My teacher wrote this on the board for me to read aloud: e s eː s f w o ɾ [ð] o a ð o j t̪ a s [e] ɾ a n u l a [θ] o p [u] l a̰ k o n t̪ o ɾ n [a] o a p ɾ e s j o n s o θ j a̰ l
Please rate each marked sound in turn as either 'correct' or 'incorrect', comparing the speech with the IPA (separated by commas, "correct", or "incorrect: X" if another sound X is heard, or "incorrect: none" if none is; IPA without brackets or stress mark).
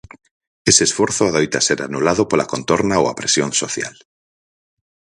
incorrect: θ, correct, incorrect: ð, incorrect: o, correct